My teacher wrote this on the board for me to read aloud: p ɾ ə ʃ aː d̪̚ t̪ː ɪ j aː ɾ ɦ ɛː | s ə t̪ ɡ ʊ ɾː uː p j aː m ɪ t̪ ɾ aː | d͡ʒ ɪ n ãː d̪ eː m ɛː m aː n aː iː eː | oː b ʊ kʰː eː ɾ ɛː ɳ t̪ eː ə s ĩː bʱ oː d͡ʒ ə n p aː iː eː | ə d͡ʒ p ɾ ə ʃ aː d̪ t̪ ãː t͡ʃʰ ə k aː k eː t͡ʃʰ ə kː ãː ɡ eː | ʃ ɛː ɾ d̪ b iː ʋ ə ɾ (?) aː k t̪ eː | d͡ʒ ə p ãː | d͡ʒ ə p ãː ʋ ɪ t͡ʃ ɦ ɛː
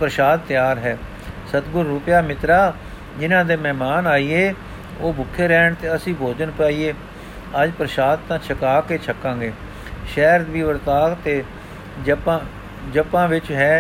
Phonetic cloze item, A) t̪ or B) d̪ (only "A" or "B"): A